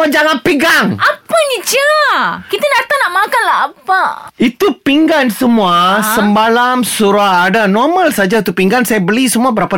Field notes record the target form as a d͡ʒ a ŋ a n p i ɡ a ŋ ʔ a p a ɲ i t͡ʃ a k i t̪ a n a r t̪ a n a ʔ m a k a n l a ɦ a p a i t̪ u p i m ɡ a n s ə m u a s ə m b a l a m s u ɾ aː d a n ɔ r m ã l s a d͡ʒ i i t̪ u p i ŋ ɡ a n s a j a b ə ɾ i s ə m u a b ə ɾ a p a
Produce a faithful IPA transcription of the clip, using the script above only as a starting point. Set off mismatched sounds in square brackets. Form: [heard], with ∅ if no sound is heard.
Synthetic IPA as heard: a d͡ʒ a ŋ a n p i ɡ a ŋ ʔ a p a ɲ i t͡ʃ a k i t̪ a n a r t̪ a n a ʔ m a k a n l a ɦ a p a i t̪ u p i [ŋ] ɡ a n s ə m u a s ə m b a l a m s u ɾ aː d a n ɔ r m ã l s a d͡ʒ [a] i t̪ u p i ŋ ɡ a n s a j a b ə [l] i s ə m u a b ə ɾ a p a